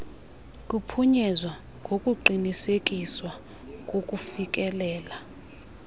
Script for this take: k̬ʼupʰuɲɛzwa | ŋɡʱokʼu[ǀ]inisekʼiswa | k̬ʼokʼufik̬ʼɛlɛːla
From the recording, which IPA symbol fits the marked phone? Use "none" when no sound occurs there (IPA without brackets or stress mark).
ǃ